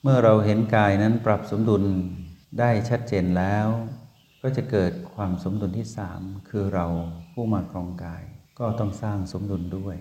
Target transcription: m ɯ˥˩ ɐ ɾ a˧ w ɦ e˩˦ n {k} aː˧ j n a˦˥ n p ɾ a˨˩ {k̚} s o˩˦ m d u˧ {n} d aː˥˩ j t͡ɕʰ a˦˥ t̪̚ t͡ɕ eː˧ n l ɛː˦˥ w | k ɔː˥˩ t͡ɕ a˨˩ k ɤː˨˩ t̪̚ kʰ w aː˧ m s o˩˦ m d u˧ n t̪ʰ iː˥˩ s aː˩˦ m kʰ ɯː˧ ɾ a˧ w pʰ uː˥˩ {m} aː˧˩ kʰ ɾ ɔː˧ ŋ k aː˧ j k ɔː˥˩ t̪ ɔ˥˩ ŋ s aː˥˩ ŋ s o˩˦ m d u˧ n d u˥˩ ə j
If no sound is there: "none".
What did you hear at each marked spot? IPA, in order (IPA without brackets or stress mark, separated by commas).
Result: k, p̚, n, m